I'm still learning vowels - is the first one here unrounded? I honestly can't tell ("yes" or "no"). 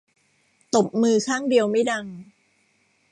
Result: no